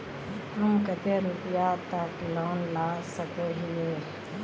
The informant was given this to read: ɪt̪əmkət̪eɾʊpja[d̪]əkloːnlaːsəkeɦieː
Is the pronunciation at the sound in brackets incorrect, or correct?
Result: incorrect